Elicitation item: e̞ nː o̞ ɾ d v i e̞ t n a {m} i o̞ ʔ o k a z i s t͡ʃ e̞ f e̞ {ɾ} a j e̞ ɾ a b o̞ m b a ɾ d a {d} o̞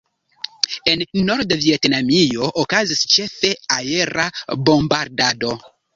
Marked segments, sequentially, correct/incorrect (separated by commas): correct, incorrect, correct